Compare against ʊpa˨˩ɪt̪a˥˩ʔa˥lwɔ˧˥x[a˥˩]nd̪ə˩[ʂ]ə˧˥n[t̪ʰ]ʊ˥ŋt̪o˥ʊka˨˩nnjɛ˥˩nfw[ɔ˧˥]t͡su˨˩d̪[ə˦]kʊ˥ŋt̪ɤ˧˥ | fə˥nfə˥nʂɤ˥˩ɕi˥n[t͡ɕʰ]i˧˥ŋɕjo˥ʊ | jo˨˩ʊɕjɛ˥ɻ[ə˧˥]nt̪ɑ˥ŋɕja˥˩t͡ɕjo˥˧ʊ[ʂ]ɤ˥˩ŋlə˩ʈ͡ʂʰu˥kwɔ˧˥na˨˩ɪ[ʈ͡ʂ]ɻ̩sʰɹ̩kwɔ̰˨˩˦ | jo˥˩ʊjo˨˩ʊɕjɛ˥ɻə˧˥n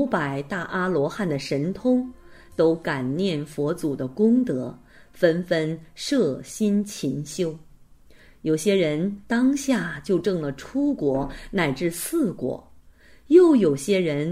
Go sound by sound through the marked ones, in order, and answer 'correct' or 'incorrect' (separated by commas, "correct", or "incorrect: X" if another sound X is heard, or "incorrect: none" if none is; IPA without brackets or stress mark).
correct, correct, correct, correct, correct, correct, correct, incorrect: ʈ͡ʂ, correct